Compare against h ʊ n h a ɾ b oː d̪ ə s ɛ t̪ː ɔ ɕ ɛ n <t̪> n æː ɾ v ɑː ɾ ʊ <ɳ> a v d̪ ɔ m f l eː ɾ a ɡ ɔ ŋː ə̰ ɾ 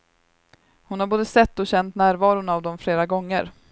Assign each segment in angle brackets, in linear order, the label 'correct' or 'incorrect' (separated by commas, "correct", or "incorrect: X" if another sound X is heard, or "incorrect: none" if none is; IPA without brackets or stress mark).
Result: correct, incorrect: n